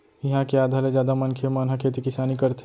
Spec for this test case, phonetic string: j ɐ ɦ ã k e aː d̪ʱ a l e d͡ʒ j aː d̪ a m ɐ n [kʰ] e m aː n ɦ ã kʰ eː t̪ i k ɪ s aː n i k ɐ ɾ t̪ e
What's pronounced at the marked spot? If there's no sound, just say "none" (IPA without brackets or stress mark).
kʰ